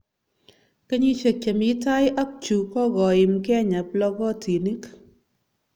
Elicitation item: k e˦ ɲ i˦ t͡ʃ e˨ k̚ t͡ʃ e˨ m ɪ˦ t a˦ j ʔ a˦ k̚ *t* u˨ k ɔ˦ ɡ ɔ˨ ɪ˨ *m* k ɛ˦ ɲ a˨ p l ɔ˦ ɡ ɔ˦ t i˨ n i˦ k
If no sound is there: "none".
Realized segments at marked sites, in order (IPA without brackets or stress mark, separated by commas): t͡ʃ, m